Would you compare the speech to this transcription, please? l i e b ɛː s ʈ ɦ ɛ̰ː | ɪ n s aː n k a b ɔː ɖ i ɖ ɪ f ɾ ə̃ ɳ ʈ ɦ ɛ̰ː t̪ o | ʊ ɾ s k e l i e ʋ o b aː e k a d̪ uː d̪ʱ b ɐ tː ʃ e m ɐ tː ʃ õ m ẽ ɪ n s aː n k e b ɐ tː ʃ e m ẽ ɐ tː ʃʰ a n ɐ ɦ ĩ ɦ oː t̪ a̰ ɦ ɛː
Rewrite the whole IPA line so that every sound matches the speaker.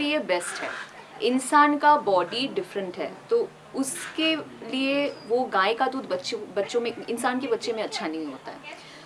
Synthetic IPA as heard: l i e b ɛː s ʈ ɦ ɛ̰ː | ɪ n s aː n k a b ɔː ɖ i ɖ ɪ f ɾ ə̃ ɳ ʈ ɦ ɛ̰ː t̪ o | ʊ s k e l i e ʋ o ɡ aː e k a d̪ uː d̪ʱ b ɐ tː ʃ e b ɐ tː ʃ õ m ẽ ɪ n s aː n k e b ɐ tː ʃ e m ẽ ɐ tː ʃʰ a n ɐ ɦ ĩ ɦ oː t̪ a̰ ɦ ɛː